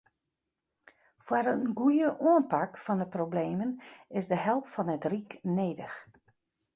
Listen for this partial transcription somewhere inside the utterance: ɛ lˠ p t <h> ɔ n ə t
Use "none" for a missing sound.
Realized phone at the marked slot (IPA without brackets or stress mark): f